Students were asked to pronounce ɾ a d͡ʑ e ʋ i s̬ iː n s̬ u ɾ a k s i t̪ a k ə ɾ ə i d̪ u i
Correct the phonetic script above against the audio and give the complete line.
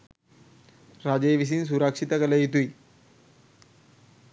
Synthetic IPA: ɾ a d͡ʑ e ʋ i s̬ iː n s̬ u ɾ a k ʂ i t̪ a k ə l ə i t̪ u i